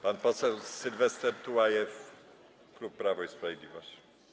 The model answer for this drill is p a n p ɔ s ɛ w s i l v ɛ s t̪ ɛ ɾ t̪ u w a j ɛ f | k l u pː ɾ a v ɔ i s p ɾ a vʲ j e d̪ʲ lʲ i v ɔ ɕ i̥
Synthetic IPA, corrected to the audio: p a n p ɔ s ɛ w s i l v ɛ s t̪ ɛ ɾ t̪ u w a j ɛ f | k l u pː ɾ a v ɔ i s p ɾ a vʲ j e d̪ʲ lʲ i v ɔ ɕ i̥